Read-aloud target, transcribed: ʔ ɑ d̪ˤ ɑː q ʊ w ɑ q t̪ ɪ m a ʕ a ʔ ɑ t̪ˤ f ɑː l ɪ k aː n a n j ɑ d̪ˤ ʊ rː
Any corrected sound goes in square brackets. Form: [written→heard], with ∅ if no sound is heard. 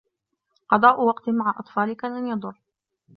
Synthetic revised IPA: [ʔ→q] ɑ d̪ˤ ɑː [q→ʔ] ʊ w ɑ q t̪ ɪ m a ʕ a ʔ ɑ t̪ˤ f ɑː l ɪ k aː n a n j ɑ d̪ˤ ʊ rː